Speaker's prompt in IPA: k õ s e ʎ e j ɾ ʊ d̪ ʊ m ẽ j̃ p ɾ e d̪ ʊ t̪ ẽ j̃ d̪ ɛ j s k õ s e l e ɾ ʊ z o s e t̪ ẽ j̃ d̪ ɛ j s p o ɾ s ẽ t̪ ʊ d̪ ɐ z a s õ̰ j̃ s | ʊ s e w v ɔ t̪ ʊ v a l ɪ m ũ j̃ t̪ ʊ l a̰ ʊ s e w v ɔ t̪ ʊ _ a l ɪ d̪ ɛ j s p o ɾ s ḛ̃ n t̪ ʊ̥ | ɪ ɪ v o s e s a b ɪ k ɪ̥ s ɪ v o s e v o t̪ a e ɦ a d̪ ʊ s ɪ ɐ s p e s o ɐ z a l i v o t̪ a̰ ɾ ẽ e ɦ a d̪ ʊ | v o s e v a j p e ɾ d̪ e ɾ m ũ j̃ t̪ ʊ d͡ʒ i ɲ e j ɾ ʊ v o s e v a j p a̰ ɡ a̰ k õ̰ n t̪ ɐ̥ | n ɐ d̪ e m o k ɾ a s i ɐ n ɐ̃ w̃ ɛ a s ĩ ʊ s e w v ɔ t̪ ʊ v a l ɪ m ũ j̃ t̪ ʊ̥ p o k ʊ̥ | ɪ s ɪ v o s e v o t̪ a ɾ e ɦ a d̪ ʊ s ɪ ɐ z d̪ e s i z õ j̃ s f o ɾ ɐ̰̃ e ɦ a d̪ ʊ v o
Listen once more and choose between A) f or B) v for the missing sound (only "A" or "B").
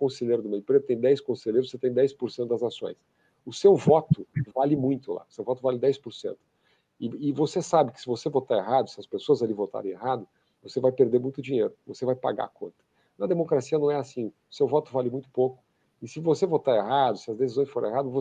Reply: B